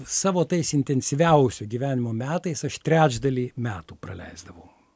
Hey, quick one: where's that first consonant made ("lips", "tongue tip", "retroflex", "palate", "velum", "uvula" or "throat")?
tongue tip